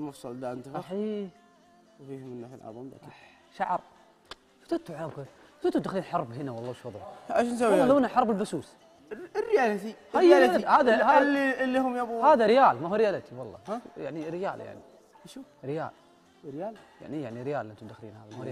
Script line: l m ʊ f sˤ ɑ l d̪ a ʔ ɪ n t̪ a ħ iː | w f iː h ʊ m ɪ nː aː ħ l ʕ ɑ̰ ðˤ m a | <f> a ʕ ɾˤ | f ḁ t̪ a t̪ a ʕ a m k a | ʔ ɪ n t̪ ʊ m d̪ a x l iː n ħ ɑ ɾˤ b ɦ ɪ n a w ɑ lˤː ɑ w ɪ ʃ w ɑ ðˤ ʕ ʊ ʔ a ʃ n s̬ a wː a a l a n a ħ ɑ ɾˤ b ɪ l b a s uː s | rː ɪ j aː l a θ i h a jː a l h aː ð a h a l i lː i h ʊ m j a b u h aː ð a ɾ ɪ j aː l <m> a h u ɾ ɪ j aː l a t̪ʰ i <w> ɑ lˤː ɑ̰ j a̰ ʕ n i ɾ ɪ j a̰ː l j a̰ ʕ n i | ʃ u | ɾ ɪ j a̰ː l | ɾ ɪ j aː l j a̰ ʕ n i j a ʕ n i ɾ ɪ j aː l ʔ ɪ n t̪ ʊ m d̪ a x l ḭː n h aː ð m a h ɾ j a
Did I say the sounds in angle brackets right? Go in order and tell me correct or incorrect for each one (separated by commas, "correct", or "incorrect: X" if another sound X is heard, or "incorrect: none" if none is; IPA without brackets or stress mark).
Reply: incorrect: ʃ, correct, correct